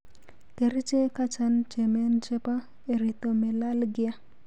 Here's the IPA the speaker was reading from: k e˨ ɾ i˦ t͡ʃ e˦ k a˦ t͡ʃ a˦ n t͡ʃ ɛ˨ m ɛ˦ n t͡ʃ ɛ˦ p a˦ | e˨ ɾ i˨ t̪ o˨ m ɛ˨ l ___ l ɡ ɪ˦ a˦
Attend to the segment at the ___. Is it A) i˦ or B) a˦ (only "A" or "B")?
B